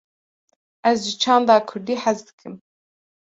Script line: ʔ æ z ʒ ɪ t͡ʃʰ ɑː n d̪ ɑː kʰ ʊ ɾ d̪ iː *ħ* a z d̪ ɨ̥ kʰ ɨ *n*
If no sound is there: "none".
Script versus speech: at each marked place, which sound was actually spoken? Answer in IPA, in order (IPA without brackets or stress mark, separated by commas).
ħ, m